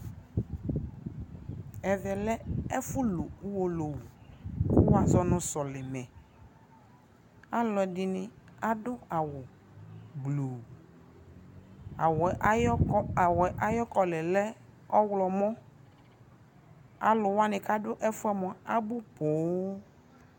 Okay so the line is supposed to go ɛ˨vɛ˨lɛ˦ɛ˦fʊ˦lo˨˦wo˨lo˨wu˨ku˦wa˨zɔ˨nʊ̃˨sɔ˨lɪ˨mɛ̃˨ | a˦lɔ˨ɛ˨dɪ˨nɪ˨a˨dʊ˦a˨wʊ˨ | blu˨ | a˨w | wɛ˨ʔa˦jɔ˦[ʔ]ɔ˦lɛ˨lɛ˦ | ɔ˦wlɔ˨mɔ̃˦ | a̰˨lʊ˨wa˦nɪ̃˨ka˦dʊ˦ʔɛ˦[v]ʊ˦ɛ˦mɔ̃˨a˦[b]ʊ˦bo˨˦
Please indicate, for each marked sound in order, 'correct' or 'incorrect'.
incorrect, incorrect, correct

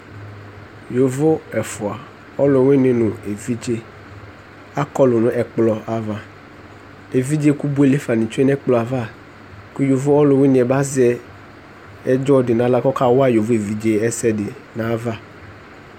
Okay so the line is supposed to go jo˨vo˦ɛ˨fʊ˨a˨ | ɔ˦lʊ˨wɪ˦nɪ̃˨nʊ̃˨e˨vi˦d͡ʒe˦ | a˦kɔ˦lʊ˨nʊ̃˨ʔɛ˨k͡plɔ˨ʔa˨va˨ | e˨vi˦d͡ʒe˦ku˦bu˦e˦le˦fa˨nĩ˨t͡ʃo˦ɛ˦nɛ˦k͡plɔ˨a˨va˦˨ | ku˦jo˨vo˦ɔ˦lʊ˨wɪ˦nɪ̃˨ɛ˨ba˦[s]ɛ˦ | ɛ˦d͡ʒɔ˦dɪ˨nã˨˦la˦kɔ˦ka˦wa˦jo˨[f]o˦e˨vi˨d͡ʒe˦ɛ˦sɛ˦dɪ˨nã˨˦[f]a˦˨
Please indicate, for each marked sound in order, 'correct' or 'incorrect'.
incorrect, incorrect, incorrect

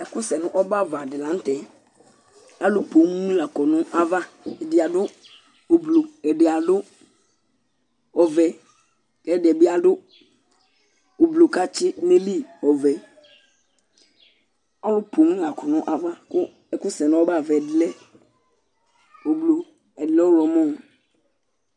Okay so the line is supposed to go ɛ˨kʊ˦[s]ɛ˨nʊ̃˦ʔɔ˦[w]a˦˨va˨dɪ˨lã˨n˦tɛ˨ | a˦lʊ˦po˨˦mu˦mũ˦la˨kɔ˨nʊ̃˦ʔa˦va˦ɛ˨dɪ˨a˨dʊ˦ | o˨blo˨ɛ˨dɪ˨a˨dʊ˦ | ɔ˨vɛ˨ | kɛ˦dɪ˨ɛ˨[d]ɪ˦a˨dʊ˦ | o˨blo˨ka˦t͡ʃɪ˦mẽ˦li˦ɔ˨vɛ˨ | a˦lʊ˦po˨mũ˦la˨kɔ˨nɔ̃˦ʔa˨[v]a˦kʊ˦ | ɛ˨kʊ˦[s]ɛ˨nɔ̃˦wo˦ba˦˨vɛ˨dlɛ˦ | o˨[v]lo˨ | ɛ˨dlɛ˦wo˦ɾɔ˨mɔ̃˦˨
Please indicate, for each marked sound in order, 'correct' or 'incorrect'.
correct, incorrect, incorrect, correct, correct, incorrect

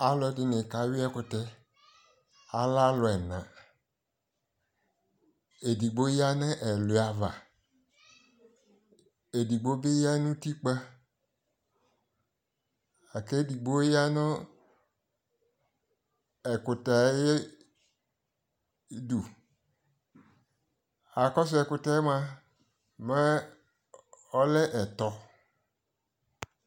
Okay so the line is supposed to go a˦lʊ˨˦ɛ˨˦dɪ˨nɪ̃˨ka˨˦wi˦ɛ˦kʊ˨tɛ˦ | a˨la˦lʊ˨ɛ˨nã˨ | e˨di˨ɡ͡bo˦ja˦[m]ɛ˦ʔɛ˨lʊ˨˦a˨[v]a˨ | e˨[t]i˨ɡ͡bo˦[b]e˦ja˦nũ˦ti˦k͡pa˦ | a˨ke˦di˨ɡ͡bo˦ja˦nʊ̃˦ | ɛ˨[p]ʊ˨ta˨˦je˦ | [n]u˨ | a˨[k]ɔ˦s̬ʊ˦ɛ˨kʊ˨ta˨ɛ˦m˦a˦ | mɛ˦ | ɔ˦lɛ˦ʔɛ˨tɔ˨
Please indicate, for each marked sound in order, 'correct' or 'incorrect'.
incorrect, correct, incorrect, correct, incorrect, incorrect, correct

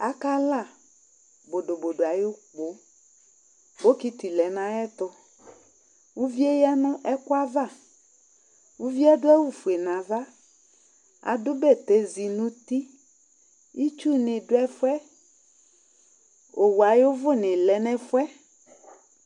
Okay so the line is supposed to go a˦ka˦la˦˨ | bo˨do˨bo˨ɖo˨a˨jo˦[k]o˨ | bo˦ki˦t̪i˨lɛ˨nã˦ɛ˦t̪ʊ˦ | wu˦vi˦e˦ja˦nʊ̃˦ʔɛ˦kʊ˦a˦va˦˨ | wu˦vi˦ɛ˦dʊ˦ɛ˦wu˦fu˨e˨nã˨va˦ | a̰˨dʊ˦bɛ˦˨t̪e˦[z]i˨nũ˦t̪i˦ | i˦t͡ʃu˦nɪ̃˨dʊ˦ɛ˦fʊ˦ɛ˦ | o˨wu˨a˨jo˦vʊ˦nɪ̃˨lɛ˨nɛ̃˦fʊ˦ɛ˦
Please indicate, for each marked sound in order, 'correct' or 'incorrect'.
incorrect, correct

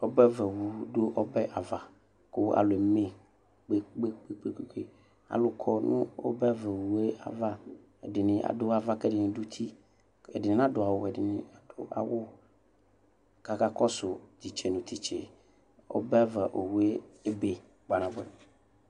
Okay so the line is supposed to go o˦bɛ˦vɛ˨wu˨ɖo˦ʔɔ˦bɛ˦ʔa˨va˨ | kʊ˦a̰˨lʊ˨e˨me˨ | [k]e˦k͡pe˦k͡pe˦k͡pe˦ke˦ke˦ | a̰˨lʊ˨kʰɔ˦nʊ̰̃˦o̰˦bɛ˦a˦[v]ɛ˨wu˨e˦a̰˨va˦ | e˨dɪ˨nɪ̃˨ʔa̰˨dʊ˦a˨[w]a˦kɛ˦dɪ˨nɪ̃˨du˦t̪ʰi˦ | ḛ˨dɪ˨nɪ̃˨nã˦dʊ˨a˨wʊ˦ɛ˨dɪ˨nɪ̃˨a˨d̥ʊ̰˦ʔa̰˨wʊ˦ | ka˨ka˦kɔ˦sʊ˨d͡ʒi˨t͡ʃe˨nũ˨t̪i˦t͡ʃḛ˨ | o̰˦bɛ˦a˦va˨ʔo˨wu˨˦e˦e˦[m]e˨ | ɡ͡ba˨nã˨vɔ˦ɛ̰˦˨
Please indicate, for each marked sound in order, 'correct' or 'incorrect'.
incorrect, correct, incorrect, incorrect

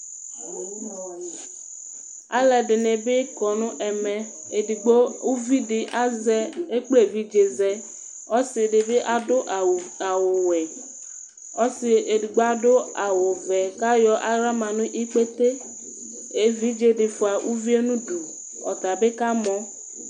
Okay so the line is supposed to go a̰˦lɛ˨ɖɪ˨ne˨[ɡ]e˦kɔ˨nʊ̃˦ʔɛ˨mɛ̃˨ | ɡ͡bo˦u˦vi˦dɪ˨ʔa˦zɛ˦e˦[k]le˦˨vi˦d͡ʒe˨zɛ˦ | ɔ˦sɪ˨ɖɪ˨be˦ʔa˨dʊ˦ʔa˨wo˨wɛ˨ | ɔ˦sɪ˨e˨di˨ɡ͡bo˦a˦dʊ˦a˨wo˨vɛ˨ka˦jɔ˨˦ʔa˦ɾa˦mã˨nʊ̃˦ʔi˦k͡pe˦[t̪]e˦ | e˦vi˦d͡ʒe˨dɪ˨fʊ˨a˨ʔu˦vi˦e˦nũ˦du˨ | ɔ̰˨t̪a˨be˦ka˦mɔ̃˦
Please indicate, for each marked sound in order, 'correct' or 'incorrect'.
incorrect, incorrect, correct

